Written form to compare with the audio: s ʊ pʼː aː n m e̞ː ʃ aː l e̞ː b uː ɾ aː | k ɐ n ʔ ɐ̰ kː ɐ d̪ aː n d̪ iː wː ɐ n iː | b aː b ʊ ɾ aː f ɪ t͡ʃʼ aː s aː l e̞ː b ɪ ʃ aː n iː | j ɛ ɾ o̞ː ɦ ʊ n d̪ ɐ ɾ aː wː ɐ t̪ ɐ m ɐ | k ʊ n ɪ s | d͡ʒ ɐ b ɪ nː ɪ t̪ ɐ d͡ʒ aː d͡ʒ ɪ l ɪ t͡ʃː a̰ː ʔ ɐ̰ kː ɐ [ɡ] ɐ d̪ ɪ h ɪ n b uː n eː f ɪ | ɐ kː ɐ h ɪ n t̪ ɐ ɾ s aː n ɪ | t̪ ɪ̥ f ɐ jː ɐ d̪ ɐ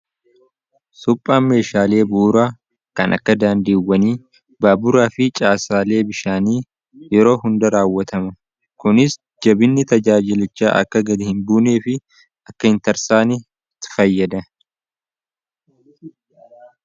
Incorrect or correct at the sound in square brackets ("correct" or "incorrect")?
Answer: correct